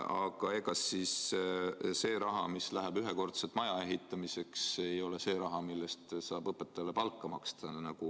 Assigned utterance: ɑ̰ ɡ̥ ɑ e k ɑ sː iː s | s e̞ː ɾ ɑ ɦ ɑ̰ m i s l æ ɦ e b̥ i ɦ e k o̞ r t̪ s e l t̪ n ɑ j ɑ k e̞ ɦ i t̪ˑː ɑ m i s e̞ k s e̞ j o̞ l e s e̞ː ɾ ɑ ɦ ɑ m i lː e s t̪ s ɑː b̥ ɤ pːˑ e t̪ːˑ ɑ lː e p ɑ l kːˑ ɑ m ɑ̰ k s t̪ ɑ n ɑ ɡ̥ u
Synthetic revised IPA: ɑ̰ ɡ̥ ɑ e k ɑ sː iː s | s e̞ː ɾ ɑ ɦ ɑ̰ m i s l æ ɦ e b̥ y ɦ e k o̞ r t̪ s e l t̪ m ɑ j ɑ e̞ ɦ i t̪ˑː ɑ m i s e̞ k s e̞ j o̞ l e s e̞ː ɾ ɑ ɦ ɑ m i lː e s t̪ s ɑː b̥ ɤ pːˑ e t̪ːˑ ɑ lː e p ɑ l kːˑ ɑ m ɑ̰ k s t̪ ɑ n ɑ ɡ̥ u

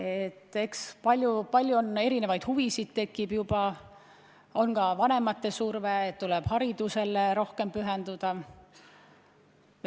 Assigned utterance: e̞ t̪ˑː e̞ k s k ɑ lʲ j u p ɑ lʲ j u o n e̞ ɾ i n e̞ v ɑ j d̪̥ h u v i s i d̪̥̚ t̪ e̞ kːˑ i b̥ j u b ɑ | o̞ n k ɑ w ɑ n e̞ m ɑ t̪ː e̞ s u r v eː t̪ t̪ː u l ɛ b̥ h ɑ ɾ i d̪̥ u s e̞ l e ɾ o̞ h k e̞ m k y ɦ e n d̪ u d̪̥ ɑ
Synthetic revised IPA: e̞ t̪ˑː e̞ k s p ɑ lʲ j u p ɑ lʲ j u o n e̞ ɾ i n e̞ v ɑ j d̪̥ h u v i s i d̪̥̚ t̪ e̞ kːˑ i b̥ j u b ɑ | o̞ n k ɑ v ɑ n e̞ m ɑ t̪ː e̞ s u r v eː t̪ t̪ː u l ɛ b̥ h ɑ ɾ i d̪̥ u s e̞ l e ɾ o̞ h k e̞ m p y ɦ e n d̪ u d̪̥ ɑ

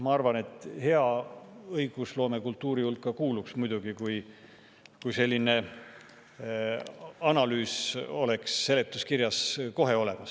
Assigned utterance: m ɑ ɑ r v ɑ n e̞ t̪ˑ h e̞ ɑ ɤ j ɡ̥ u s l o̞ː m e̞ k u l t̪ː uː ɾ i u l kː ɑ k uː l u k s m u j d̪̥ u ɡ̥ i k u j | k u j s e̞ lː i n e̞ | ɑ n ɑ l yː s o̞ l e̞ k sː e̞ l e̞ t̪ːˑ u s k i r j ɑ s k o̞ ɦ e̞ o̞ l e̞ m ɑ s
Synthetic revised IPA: m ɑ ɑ r v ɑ n e̞ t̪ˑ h e̞ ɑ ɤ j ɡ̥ u s l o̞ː m e̞ k u l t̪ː uː ɾ i u l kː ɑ k uː l u k s m u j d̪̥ u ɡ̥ i k u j | k u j s e̞ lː i n e̞ | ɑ n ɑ l yː s o̞ l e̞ k sː e̞ l e̞ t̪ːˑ u s k i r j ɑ s k o̞ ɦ e̞ o̞ l e̞ m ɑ s

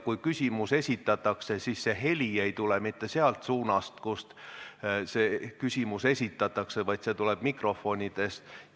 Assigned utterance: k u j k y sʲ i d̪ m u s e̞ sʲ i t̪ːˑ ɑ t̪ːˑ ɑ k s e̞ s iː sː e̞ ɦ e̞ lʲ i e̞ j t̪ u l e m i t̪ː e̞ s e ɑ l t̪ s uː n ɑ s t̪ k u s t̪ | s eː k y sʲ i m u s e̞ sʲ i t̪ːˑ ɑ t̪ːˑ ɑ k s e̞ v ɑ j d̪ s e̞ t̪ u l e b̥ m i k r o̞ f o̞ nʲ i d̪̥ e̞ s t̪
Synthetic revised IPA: k u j k y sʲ i m u s e̞ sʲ i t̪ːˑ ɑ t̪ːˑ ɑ k s e̞ s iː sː e̞ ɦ e̞ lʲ i e̞ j t̪ u l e m i t̪ː e̞ s e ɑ l t̪ s uː n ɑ s t̪ k u s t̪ | s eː k y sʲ i m u s e̞ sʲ i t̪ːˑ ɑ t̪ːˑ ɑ k s e̞ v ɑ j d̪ s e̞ t̪ u l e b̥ m i k r o̞ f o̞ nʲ i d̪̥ e̞ s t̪

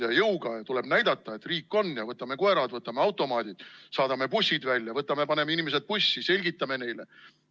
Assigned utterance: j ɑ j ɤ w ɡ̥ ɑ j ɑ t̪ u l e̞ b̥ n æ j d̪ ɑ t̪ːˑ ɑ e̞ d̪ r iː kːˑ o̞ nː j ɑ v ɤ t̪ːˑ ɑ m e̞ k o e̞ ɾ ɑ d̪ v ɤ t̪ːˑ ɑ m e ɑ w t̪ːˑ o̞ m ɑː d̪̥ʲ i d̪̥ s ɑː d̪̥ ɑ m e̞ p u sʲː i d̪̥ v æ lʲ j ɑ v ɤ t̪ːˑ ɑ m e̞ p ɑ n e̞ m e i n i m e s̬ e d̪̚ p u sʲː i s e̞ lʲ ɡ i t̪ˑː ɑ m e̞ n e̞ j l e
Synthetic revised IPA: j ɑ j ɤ w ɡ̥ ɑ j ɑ t̪ u l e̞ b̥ n æ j d̪ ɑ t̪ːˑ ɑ e̞ t̪ r iː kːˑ o̞ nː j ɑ v ɤ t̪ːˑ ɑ m e̞ k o e̞ ɾ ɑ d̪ v ɤ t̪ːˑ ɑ m e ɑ w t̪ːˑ o̞ m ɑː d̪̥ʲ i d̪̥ s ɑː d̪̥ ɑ m e̞ p u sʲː i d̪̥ v æ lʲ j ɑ v ɤ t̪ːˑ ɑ m e̞ p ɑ n e̞ m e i n i m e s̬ e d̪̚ p u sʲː i s e̞ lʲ ɡ i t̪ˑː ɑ m e̞ n e̞ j l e

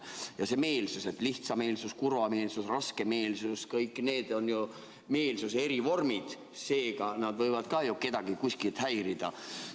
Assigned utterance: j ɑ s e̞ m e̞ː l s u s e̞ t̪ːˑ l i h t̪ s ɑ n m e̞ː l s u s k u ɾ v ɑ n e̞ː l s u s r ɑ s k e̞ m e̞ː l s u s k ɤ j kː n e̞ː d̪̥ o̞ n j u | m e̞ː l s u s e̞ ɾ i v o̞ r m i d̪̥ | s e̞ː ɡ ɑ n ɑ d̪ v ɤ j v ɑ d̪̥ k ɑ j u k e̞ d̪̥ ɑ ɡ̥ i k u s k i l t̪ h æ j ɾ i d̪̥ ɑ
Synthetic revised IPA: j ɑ s e̞ m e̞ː l s u s e̞ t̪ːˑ l i h t̪ s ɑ m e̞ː l s u s k u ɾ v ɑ m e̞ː l s u s r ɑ s k e̞ m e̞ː l s u s k ɤ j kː n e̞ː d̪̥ o̞ n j u | m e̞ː l s u s e̞ ɾ i v o̞ r m i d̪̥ | s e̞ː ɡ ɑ n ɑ d̪ v ɤ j v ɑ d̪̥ k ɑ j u k e̞ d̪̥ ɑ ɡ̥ i k u s k i l t̪ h æ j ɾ i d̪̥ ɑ

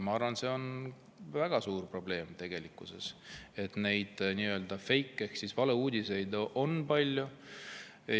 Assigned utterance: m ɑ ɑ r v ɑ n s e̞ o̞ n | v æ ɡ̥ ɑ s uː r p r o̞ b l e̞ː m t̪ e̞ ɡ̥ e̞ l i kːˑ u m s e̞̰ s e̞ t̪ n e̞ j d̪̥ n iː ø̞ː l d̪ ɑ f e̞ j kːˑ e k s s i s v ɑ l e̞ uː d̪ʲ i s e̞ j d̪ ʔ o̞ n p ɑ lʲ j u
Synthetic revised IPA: m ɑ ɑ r v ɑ n s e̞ o̞ n | v æ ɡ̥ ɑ s uː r p r o̞ b l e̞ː m t̪ e̞ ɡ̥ e̞ l i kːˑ u s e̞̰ s e̞ t̪ n e̞ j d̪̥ n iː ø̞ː l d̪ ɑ f e̞ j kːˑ e k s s i s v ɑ l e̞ uː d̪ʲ i s e̞ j d̪ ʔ o̞ n p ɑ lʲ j u

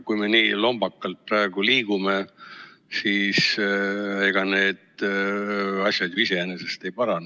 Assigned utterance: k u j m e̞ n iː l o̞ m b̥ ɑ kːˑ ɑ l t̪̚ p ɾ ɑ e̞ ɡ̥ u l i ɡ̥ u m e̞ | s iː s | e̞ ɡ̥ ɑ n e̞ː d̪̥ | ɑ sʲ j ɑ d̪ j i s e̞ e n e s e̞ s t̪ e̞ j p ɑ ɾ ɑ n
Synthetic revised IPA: k u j m e̞ n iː l o̞ m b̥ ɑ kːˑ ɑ l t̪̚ p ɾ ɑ e̞ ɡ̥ u l iː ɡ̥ u m e̞ | s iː s | e̞ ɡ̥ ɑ n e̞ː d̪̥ | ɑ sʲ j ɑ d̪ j i s e̞ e n e s e̞ s t̪ e̞ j p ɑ ɾ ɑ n

